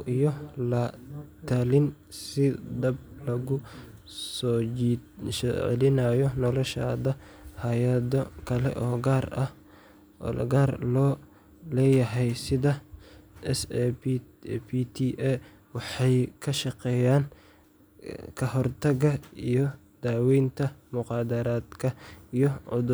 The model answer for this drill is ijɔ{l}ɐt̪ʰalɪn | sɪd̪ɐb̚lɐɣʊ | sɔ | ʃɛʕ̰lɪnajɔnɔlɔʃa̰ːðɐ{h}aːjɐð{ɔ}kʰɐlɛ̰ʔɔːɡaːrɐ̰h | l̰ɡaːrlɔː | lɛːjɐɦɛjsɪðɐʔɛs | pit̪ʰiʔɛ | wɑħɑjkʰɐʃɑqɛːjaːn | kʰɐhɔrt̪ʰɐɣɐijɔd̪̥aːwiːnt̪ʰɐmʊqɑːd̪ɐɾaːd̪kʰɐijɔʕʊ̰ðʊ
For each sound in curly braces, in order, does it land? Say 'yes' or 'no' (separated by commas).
yes, yes, yes